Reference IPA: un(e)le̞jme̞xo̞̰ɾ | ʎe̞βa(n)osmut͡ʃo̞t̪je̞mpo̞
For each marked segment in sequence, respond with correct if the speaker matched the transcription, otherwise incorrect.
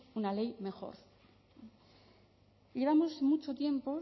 incorrect, incorrect

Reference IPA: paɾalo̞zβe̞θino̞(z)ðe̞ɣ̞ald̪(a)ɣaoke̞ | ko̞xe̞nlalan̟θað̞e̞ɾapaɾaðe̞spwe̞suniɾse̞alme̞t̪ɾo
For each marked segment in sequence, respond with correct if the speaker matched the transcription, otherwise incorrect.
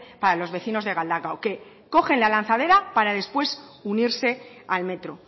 correct, correct

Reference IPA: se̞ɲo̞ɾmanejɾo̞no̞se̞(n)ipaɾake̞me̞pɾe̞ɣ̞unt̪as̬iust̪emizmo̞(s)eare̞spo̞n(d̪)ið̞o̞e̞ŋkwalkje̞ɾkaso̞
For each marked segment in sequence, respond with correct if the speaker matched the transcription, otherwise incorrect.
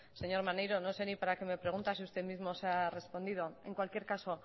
correct, correct, correct

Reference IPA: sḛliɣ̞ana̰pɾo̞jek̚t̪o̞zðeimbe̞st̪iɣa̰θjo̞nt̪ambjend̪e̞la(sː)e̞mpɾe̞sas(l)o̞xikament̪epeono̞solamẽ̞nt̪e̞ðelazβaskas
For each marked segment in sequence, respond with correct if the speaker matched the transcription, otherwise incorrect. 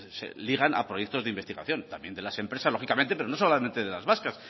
incorrect, correct

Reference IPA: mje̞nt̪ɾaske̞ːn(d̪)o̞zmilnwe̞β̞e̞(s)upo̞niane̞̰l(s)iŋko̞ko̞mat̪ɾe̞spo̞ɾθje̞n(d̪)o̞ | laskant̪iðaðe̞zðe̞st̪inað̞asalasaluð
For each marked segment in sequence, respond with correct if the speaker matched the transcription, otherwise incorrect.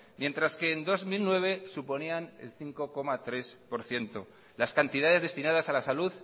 correct, correct, incorrect, incorrect

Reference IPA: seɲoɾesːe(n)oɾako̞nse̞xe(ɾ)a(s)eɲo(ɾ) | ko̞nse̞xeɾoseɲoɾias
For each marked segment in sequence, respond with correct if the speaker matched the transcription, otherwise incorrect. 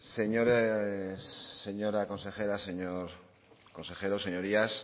incorrect, correct, correct, correct

